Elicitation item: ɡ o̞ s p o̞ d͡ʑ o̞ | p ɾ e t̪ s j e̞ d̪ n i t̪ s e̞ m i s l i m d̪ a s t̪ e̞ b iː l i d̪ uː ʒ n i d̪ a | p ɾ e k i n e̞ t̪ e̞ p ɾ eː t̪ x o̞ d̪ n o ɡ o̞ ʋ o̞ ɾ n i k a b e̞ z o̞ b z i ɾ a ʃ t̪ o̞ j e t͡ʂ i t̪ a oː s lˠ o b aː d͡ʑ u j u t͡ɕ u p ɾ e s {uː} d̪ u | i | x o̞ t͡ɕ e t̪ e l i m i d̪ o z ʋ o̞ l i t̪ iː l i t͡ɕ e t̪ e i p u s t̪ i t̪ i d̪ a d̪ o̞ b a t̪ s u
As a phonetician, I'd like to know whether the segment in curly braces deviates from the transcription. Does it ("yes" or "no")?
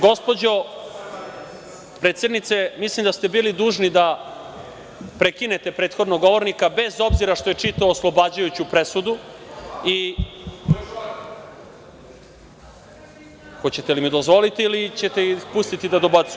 yes